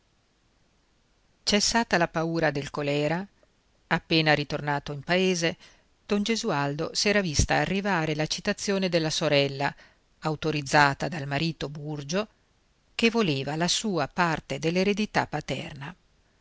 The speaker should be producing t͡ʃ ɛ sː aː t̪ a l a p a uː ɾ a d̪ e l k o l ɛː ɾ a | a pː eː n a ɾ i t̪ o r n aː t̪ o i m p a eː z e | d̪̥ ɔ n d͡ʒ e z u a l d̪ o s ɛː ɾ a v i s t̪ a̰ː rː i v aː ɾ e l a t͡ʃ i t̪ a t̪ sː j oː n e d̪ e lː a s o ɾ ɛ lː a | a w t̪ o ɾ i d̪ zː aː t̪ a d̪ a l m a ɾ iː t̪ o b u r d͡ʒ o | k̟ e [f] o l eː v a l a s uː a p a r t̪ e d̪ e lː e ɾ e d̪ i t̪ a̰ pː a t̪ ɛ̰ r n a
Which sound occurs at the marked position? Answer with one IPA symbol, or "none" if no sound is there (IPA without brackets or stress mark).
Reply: v